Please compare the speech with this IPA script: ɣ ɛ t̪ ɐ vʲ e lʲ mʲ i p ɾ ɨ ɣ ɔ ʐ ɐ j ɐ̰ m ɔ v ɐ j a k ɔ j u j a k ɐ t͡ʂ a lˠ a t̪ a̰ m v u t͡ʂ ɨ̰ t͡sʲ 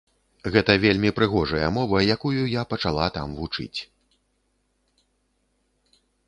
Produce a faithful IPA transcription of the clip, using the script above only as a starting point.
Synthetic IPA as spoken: ɣ ɛ t̪ ɐ vʲ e lʲ mʲ i p ɾ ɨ ɣ ɔ ʐ ɐ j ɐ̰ m ɔ v ɐ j a k u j u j a p ɐ t͡ʂ a lˠ a t̪ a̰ m v u t͡ʂ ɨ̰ t͡sʲ